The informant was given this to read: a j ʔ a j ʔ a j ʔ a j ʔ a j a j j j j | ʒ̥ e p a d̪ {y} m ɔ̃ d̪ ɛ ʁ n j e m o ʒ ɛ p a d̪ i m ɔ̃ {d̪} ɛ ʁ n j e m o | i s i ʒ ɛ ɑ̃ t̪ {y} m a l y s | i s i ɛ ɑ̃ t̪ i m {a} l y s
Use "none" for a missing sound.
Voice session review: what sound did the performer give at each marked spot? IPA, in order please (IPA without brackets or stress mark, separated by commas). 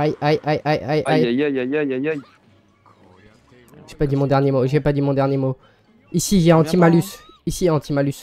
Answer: i, d̪, i, a